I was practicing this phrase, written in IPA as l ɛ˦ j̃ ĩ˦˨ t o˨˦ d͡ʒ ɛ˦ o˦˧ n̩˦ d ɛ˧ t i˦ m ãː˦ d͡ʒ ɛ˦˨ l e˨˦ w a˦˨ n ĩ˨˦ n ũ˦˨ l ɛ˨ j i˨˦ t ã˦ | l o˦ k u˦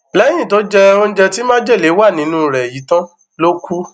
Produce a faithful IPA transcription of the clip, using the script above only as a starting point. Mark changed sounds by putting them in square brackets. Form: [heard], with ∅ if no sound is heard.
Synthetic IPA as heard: l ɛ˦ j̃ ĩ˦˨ t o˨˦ d͡ʒ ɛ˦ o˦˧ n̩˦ [d͡ʒ] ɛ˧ t i˦ m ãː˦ d͡ʒ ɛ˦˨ l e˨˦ w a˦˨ n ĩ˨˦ n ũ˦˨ [ɾ] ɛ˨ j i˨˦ t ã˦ | l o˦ k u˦